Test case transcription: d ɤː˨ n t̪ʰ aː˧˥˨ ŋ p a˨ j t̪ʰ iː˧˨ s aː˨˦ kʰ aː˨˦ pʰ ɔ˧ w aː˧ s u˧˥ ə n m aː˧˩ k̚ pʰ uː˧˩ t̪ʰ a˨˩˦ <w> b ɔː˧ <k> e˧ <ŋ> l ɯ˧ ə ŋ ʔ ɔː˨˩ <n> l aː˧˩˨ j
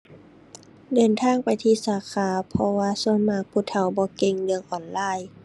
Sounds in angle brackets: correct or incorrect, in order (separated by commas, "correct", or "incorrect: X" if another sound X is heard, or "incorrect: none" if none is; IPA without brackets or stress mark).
correct, correct, correct, correct